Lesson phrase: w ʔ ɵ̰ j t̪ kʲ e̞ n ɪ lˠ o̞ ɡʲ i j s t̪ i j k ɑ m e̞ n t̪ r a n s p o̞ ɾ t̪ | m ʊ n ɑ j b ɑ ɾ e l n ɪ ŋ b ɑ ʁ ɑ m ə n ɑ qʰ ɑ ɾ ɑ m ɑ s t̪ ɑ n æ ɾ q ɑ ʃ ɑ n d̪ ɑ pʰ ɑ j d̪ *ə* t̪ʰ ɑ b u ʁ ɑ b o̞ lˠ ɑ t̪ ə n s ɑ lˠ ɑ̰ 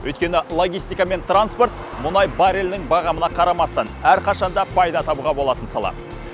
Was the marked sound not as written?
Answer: yes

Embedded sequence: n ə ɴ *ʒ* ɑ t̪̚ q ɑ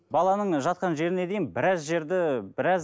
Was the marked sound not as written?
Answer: no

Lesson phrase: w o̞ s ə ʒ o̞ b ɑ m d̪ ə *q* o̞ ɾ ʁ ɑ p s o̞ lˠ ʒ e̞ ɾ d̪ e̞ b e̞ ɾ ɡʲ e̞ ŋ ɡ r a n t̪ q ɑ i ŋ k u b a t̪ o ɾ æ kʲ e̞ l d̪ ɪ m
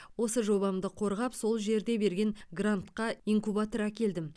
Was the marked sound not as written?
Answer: yes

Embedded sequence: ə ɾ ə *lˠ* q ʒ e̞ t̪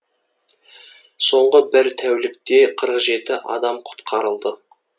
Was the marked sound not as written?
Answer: yes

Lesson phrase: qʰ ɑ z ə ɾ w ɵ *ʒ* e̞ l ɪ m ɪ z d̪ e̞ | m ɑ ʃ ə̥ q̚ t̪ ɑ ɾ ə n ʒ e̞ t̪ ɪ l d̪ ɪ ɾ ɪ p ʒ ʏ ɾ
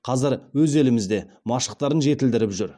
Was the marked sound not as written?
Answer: yes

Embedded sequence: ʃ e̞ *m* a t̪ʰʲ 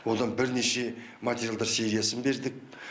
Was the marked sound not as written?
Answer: no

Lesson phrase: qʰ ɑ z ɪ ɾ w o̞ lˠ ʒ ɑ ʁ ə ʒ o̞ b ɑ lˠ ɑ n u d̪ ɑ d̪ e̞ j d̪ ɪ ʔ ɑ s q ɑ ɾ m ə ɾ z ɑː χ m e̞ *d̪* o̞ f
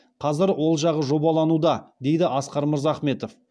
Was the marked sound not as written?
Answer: yes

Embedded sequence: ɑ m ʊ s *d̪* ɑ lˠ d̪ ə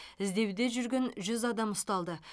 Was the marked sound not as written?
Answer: yes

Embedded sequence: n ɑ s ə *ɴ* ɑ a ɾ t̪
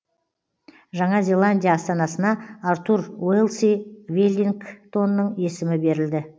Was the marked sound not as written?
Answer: yes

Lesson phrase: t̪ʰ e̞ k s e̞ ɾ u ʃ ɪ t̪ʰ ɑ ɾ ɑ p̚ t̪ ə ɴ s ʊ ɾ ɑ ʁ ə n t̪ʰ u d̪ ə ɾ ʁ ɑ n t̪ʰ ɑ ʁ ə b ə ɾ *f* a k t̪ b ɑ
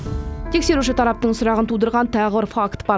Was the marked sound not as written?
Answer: no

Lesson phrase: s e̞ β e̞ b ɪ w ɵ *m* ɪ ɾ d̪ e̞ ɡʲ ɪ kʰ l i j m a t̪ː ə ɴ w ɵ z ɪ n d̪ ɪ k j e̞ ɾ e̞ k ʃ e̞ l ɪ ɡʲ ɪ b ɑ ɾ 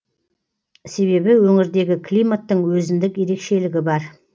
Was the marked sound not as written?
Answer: yes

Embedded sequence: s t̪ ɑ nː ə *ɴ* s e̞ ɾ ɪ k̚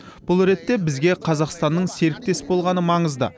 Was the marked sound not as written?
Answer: no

